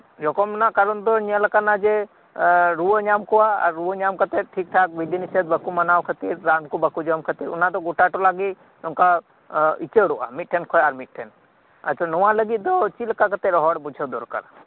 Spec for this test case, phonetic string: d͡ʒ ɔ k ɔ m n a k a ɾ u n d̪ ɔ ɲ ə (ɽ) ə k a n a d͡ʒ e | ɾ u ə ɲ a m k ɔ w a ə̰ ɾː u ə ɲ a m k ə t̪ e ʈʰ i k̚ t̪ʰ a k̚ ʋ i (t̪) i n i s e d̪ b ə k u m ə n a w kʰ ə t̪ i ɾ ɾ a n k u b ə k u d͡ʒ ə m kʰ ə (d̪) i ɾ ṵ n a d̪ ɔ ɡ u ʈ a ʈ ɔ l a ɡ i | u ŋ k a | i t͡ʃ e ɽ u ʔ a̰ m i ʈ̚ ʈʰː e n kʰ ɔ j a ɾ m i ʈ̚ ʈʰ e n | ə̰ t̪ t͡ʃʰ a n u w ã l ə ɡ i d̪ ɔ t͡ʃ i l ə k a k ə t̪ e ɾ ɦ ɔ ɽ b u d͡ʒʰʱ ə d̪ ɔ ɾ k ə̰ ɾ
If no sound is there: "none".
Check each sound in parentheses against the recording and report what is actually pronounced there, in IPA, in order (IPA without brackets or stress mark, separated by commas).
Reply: l, d̪, t̪